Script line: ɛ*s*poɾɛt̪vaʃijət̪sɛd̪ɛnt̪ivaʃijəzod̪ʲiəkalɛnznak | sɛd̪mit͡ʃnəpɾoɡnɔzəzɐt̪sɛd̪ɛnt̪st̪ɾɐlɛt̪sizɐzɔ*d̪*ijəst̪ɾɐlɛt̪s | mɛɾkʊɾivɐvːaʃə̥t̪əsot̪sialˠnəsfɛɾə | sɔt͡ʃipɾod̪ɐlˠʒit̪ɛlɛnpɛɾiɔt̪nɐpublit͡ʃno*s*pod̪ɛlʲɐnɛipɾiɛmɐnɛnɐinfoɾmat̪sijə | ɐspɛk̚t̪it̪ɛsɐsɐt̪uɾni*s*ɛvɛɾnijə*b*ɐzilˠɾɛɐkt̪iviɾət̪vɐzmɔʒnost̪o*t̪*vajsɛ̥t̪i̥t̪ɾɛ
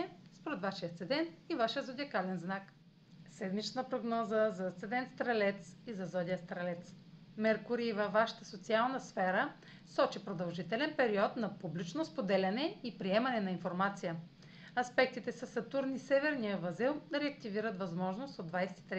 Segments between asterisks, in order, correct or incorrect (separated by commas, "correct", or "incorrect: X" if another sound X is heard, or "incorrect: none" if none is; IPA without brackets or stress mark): correct, correct, correct, correct, incorrect: v, incorrect: d̪